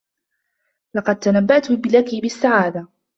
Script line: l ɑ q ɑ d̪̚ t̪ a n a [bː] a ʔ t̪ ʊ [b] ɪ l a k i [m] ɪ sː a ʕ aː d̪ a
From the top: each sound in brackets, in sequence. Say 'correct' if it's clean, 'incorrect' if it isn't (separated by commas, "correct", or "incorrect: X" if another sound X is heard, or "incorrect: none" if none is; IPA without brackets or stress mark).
correct, correct, incorrect: b